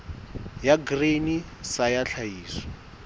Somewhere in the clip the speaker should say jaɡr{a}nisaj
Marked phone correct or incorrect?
incorrect